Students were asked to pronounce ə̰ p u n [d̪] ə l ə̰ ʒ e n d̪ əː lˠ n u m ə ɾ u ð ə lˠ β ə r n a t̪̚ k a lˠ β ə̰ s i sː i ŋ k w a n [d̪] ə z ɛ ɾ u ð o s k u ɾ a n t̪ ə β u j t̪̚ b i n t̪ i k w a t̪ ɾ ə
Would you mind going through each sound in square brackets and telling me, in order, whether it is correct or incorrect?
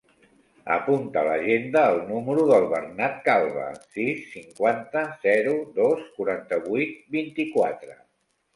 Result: incorrect, incorrect

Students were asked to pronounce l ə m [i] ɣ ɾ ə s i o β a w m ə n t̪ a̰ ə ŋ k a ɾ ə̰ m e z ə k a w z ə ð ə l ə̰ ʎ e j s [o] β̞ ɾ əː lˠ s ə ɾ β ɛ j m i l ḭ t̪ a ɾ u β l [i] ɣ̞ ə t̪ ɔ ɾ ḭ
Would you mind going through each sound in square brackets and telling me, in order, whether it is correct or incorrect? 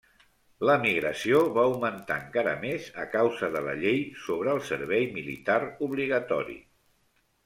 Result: correct, correct, correct

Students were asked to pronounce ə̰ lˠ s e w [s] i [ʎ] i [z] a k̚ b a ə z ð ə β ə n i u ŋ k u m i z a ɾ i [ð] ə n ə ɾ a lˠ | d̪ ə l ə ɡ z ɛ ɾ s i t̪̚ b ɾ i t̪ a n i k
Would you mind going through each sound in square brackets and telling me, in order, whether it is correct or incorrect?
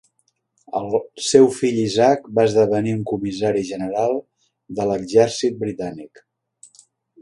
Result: incorrect, correct, correct, incorrect

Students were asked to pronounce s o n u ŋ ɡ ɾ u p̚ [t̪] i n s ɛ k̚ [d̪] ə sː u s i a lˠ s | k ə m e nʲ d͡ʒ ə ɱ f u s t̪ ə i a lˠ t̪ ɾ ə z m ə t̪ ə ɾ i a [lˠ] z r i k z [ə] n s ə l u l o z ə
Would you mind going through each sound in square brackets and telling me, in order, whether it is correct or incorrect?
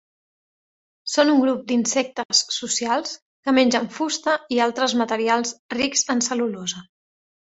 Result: incorrect, incorrect, correct, correct

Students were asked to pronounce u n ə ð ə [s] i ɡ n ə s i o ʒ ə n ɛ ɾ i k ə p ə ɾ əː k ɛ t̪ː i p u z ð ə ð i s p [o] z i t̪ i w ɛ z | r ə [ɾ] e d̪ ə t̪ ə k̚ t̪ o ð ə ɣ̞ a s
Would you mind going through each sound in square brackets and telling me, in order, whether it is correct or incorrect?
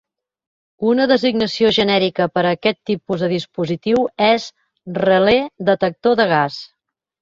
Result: incorrect, incorrect, incorrect

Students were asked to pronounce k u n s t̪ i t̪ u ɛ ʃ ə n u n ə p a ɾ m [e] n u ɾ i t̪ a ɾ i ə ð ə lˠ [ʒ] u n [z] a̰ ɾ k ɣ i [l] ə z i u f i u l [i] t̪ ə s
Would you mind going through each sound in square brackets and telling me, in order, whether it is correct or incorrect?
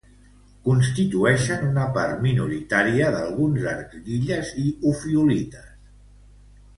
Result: incorrect, incorrect, correct, incorrect, correct

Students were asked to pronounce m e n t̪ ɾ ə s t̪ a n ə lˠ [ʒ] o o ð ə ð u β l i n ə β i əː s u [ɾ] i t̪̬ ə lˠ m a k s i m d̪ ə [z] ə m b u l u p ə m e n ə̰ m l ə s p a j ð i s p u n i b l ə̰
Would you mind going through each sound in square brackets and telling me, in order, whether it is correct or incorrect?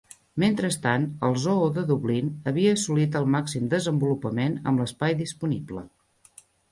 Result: incorrect, incorrect, correct

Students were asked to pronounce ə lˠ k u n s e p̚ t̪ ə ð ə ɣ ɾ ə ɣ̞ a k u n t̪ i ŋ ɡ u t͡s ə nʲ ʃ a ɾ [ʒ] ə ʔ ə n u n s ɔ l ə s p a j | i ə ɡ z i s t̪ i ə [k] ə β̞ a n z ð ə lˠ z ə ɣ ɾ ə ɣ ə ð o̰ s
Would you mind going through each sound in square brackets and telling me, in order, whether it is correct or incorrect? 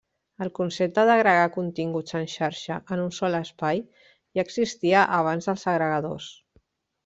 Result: incorrect, incorrect

